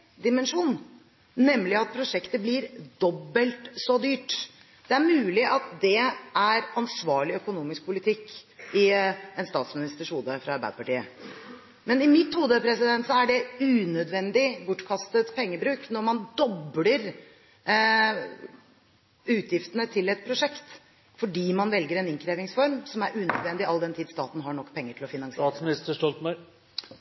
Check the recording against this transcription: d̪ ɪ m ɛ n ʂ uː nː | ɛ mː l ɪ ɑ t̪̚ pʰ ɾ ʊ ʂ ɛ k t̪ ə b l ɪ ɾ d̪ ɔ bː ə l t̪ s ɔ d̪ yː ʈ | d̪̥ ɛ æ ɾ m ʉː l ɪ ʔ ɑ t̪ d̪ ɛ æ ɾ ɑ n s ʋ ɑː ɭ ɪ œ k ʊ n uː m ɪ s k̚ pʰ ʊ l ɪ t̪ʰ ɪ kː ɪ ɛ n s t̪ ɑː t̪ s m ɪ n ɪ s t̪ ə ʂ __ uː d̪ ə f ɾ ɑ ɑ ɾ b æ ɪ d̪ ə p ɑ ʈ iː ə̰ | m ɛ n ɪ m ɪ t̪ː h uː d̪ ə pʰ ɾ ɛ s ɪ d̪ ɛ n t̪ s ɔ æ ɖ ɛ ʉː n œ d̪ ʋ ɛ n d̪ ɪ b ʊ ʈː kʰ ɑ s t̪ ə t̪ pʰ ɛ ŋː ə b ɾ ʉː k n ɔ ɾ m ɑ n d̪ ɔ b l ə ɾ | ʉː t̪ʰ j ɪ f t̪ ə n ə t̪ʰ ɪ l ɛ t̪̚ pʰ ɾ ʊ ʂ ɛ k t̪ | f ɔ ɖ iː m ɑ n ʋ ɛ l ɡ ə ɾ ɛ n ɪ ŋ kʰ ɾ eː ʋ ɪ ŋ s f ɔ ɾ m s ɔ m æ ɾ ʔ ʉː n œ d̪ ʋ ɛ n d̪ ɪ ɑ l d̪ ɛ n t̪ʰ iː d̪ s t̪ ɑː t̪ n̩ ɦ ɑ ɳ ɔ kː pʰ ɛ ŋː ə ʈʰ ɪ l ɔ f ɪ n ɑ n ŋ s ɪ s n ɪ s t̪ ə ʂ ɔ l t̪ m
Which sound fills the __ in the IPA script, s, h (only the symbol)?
h